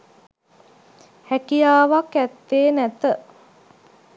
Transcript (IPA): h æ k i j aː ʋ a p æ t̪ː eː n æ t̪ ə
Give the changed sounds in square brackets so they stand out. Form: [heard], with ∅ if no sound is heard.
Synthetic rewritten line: h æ k i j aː ʋ a [k] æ t̪ː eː n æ t̪ ə

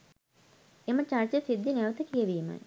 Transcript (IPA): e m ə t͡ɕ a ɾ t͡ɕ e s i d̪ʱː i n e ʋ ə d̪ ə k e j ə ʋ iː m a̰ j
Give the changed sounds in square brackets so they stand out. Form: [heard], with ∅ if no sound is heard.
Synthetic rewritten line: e m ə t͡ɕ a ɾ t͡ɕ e s i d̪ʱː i n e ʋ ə [t̪] ə k [i] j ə ʋ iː m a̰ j

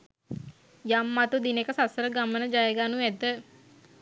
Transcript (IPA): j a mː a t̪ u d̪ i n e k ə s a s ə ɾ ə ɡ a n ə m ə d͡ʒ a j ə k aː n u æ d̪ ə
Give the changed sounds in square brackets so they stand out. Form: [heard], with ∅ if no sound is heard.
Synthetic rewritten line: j a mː a t̪ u d̪ i n e k ə s a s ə ɾ ə ɡ a [m] ə [n] ə d͡ʒ a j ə [ɡ] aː n u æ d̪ ə

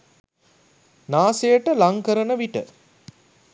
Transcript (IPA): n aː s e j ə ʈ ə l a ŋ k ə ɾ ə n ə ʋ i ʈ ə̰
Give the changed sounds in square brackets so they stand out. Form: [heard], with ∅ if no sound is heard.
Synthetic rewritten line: n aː s e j ə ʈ ə l a ŋ k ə ɾ ə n ə ʋ i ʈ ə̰

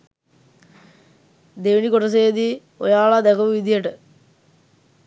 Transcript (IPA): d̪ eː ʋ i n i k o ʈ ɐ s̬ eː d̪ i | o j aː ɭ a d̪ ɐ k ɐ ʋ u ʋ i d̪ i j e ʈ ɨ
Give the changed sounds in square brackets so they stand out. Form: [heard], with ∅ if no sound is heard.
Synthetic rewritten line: d̪ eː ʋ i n i k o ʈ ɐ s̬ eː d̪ i | o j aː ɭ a d̪ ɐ k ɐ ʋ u ʋ i d̪ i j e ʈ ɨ

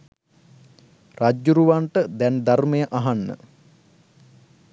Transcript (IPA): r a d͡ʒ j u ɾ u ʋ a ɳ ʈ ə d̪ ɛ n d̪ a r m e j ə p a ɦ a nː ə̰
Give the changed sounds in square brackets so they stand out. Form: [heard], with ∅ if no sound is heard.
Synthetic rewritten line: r a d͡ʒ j u ɾ u ʋ a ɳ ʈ ə d̪ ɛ n d̪ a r m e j ə [ʔ] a ɦ a nː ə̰

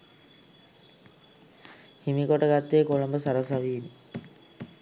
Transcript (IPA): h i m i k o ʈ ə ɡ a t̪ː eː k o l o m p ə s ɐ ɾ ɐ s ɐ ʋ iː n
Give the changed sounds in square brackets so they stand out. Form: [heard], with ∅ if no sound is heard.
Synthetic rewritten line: h i m i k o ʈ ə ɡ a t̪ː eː k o l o m [b] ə s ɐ ɾ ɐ s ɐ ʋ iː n

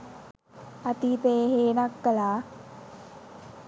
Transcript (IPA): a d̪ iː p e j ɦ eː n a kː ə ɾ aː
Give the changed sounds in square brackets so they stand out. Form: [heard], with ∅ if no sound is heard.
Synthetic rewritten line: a [t̪] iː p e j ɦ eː n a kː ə [l] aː

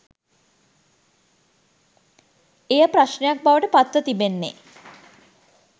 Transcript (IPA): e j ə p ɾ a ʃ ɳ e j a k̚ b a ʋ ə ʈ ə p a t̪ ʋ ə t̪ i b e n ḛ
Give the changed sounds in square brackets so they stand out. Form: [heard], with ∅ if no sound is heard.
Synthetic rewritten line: e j ə p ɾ a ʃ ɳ e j a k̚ b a ʋ ə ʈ ə p a t̪ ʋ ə t̪ i b e [nː] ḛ

